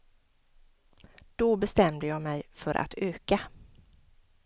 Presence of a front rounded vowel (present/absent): present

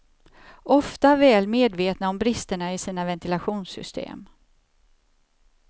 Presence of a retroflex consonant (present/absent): present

